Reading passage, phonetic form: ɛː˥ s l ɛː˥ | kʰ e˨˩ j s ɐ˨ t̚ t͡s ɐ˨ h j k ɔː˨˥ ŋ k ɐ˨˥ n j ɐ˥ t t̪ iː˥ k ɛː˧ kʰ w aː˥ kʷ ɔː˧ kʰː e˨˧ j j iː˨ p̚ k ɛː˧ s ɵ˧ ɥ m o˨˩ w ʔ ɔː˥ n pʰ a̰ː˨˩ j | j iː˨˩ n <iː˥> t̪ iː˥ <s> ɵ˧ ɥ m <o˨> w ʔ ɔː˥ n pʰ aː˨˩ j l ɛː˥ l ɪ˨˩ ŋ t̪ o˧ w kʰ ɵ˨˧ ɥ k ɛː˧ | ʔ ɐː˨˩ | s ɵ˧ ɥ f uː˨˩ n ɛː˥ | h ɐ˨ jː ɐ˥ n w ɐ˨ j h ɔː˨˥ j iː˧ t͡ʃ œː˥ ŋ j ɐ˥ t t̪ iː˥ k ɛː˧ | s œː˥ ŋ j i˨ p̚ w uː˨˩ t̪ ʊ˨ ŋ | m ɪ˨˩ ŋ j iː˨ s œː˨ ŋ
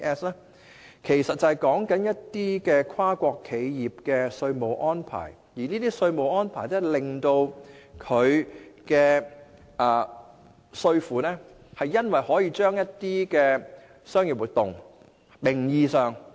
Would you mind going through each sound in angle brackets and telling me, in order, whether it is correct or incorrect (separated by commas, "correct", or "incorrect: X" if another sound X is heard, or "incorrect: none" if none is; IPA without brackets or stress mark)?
correct, correct, correct